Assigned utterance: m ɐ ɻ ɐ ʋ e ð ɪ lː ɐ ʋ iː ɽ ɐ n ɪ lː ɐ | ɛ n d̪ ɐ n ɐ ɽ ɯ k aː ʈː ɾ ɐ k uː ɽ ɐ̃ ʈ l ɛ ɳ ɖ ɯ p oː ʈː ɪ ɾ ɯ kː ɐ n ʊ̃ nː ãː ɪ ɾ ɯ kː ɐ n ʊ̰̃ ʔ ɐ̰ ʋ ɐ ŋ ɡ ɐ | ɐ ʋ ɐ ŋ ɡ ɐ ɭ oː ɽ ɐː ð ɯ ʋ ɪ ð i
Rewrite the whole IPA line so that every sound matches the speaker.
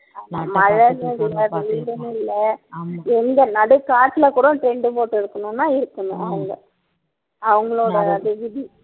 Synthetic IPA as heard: m ɐ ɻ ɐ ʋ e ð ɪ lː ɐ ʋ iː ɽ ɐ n ɪ lː ɐ | ɛ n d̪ ɐ n ɐ ɽ ɯ k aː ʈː l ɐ k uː ɽ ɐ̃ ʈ ɾ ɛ ɳ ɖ ɯ p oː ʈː ɪ ɾ ɯ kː ɐ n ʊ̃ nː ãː ɪ ɾ ɯ kː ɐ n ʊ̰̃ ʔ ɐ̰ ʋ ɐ ŋ ɡ ɐ | ɐ ʋ ɐ ŋ ɡ ɐ ɭ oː ɽ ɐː ð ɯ ʋ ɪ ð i